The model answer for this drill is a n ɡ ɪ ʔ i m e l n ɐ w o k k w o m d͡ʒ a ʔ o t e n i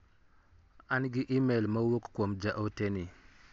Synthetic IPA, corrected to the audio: a n ɡ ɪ ʔ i m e l m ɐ w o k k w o m d͡ʒ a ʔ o t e n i